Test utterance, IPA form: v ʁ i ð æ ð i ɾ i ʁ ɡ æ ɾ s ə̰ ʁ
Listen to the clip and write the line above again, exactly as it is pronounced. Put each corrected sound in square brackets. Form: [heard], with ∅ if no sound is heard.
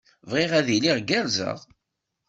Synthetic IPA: v ʁ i [ʁ] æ ð i [l] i ʁ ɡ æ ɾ [z] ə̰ ʁ